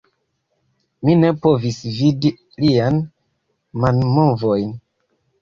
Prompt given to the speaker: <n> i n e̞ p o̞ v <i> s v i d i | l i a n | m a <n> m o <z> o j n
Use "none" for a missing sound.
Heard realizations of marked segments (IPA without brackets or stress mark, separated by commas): m, i, n, v